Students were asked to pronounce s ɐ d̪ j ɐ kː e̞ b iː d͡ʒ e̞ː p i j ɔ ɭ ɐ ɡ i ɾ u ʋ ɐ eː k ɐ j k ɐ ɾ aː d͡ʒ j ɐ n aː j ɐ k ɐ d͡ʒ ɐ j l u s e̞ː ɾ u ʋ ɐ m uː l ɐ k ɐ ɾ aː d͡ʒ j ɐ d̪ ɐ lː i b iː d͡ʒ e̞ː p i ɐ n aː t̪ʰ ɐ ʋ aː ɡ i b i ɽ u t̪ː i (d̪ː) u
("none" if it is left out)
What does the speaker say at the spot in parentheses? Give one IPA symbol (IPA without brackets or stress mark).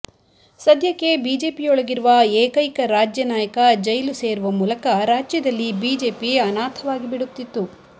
t̪ː